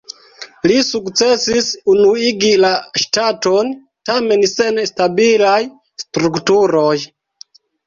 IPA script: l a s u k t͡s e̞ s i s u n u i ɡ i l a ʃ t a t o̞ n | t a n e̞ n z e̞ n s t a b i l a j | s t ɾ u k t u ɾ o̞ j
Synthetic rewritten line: l i s u k t͡s e̞ s i s u n u i ɡ i l a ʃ t a t o̞ n | t a m e̞ n s e̞ n s t a b i l a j | s t ɾ u k t u ɾ o̞ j